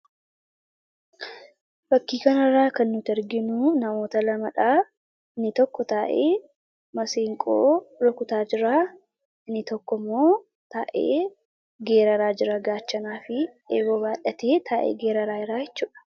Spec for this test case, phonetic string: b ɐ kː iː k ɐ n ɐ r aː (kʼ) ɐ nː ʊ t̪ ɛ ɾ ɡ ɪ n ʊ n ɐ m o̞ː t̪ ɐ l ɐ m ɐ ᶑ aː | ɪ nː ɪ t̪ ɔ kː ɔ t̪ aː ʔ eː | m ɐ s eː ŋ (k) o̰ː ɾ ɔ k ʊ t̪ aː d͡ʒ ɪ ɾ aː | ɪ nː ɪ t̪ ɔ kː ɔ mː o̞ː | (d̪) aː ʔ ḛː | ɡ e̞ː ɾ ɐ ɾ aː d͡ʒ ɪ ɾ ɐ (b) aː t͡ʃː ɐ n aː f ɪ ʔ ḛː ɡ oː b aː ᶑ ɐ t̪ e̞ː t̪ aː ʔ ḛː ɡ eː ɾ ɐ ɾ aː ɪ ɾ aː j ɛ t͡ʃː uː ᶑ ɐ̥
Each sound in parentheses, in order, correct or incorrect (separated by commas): incorrect, incorrect, incorrect, incorrect